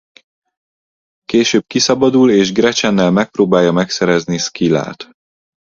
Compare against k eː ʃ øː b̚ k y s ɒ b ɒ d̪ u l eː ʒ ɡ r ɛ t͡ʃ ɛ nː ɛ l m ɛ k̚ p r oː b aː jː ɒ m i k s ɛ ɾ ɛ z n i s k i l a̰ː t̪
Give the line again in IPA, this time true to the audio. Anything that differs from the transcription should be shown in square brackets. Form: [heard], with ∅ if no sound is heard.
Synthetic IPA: k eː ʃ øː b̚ k [i] s ɒ b ɒ d̪ u l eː ʒ ɡ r ɛ t͡ʃ ɛ nː ɛ l m ɛ k̚ p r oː b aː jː ɒ m [ɛ] k s ɛ ɾ ɛ z n i s k i l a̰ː t̪

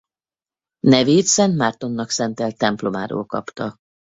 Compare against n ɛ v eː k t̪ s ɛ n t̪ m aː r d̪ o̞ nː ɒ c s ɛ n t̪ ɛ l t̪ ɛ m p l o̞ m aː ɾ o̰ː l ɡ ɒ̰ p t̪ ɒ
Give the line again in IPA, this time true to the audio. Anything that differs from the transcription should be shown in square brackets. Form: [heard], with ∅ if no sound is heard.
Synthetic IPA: n ɛ v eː [∅] t̪ s ɛ n t̪ m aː r [t̪] o̞ nː ɒ [k] s ɛ n t̪ ɛ l t̪ ɛ m p l o̞ m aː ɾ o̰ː l [k] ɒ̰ p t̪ ɒ

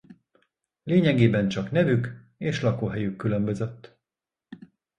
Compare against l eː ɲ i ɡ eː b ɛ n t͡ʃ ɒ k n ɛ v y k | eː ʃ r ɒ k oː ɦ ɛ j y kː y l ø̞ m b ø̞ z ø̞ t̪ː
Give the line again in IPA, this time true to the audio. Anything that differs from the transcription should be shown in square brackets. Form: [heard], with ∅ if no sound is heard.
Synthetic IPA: l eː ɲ [ɛ] ɡ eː b ɛ n t͡ʃ ɒ k n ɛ v y k | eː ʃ [l] ɒ k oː ɦ ɛ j y kː y l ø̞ m b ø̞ z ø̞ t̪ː

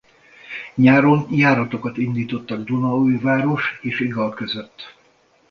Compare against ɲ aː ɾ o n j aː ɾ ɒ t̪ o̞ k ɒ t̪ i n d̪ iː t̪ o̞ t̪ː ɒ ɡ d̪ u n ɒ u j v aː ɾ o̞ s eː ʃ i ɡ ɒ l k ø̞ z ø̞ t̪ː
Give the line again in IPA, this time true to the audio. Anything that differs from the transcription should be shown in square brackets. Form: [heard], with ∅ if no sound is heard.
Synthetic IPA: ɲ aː ɾ o n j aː ɾ ɒ t̪ o̞ k ɒ t̪ i n d̪ iː t̪ o̞ t̪ː ɒ ɡ d̪ u n ɒ u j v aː ɾ o̞ [ʃ] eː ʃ i ɡ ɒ l k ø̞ z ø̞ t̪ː

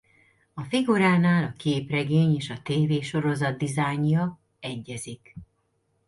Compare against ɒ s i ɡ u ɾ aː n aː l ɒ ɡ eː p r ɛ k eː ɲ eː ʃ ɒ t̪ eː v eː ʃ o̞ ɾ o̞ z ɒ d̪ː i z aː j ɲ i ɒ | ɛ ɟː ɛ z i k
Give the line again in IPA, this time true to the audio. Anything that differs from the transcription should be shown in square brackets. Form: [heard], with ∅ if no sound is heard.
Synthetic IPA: ɒ [f] i ɡ u ɾ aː n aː l ɒ [k] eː p r ɛ [ɡ] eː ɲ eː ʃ ɒ t̪ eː v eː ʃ o̞ ɾ o̞ z ɒ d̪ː i z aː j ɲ [j] ɒ | ɛ ɟː ɛ z i k

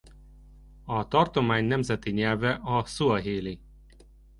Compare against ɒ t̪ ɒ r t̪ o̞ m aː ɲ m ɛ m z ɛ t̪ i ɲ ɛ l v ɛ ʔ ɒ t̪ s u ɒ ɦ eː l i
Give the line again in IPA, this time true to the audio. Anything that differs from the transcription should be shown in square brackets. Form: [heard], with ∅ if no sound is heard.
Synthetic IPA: ɒ t̪ ɒ r t̪ o̞ m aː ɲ [n] ɛ m z ɛ t̪ i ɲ ɛ l v ɛ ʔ ɒ [∅] s u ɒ ɦ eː l i

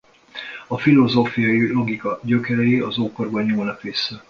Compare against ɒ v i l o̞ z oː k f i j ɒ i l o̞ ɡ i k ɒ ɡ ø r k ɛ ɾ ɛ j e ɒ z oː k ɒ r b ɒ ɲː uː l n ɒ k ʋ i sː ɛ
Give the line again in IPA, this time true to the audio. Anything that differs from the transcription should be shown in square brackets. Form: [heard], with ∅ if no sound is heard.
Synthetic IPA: ɒ [f] i l o̞ z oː [∅] f i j ɒ i l o̞ ɡ i k ɒ [ɟ] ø [∅] k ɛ ɾ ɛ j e ɒ z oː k [o] r b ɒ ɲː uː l n ɒ k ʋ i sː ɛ

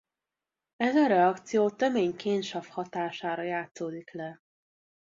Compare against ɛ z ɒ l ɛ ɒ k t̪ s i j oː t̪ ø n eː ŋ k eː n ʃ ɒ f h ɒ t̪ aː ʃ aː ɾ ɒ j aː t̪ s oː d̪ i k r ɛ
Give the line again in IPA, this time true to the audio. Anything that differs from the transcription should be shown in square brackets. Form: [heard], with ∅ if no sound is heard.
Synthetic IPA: ɛ z ɒ [ɾ] ɛ ɒ k t̪ s i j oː t̪ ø [m] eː [ɲ] k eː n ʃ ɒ f h ɒ t̪ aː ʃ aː ɾ ɒ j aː t̪ s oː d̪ i k [l] ɛ

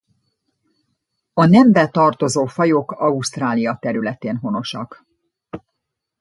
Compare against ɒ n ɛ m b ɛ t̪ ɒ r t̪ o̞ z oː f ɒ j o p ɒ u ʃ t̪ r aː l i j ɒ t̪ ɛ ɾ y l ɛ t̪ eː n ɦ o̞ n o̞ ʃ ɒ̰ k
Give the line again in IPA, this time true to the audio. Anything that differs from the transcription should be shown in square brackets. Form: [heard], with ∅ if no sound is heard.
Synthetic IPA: ɒ n ɛ m b ɛ t̪ ɒ r t̪ o̞ z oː f ɒ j o [k] ɒ u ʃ t̪ r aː l i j ɒ t̪ ɛ ɾ y l ɛ t̪ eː n ɦ o̞ n o̞ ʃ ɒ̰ k

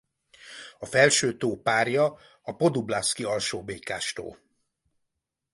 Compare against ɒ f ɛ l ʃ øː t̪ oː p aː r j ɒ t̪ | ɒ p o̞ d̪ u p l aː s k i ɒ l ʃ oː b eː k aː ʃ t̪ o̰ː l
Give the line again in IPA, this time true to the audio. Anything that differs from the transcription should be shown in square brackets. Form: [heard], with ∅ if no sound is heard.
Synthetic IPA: ɒ f ɛ l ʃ øː t̪ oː p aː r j ɒ [∅] | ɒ p o̞ d̪ u [b] l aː s k i ɒ l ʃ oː b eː k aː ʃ t̪ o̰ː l

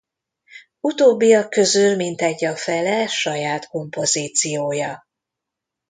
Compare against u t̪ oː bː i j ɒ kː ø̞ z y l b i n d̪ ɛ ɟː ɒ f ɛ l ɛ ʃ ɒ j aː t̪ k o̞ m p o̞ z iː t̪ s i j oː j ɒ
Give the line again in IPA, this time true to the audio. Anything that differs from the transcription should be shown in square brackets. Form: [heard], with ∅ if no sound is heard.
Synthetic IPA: u t̪ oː bː i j ɒ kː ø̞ z y l [m] i n [t̪] ɛ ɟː ɒ f ɛ l ɛ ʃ ɒ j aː t̪ k o̞ m p o̞ z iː t̪ s i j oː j ɒ

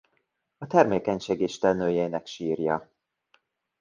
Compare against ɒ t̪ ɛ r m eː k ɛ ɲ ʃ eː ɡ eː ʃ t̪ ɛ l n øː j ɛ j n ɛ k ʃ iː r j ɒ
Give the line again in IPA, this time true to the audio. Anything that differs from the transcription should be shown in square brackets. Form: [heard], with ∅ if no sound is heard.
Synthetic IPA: ɒ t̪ ɛ r m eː k ɛ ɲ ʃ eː ɡ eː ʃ t̪ ɛ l n øː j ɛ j n ɛ k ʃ iː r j ɒ

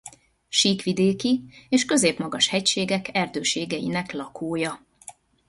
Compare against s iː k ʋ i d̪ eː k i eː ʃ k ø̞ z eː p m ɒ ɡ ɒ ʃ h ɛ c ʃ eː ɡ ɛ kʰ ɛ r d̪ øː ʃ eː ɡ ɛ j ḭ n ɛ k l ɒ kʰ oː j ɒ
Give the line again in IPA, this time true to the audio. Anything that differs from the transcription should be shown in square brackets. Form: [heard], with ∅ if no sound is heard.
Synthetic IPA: [ʃ] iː k ʋ i d̪ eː k i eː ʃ k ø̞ z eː p m ɒ ɡ ɒ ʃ h ɛ c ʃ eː ɡ ɛ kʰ ɛ r d̪ øː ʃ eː ɡ ɛ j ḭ n ɛ k l ɒ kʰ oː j ɒ

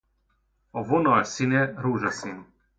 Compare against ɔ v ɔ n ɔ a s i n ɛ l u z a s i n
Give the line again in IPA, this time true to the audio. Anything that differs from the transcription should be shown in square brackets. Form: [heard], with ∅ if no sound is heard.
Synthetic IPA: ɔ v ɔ n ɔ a s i n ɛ [ɾ] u [ʒ] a s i n

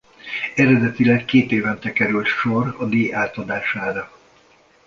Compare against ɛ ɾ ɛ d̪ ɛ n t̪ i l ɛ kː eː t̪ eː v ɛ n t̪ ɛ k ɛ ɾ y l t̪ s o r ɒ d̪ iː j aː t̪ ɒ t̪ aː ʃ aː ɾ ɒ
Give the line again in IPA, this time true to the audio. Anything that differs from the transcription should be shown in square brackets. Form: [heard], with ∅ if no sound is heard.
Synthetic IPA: ɛ ɾ ɛ d̪ ɛ [∅] t̪ i l ɛ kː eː t̪ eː v ɛ n t̪ ɛ k ɛ ɾ y l t̪ [ʃ] o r ɒ d̪ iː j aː t̪ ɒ [d̪] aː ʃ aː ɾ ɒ

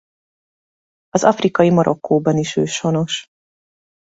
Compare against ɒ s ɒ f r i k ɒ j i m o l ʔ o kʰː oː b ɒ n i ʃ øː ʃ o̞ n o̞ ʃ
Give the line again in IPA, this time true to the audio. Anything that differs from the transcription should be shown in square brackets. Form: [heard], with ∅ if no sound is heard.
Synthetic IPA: ɒ [z] ɒ f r i k ɒ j i m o [ɾ] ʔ o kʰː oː b ɒ n i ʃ øː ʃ o̞ n o̞ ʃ

